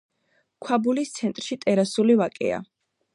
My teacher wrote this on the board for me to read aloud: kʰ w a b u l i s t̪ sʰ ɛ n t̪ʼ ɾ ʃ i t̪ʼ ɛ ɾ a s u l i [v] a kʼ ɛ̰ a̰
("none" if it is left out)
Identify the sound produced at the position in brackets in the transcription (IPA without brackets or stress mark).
v